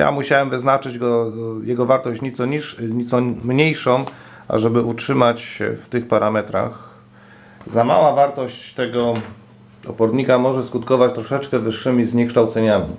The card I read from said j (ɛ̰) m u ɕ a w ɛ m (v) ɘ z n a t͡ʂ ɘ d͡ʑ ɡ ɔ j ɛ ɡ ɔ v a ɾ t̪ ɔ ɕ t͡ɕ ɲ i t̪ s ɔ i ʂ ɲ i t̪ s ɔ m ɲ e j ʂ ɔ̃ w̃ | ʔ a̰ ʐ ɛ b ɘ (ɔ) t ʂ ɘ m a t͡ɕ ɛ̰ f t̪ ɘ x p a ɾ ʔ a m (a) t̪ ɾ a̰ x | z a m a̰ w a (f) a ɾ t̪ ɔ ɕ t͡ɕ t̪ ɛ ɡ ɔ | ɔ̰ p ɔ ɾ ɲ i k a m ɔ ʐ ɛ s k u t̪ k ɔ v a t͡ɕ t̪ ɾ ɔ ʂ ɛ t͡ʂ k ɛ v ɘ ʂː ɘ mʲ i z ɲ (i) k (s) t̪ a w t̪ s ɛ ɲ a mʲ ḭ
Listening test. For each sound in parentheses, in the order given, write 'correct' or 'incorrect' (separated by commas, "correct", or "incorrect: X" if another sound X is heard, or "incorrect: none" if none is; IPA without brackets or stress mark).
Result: incorrect: a̰, correct, incorrect: u, incorrect: ɛ, incorrect: v, incorrect: ɛ, incorrect: ʂ